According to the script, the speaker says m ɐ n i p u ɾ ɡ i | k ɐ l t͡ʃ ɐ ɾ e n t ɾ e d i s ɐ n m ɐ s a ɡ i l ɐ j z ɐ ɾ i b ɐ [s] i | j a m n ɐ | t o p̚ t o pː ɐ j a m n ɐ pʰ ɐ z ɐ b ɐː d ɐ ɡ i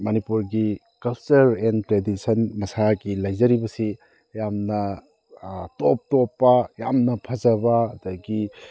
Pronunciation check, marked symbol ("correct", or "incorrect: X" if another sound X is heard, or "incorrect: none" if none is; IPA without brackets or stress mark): correct